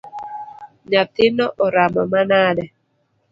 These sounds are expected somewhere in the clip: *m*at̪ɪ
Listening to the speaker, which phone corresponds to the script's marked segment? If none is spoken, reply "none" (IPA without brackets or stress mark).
ɲ